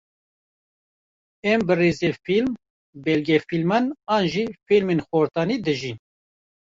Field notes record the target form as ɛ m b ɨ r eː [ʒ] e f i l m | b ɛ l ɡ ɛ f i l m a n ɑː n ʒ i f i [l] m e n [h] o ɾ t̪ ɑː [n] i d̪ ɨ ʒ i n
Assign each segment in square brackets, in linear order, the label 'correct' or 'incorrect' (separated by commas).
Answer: incorrect, correct, incorrect, correct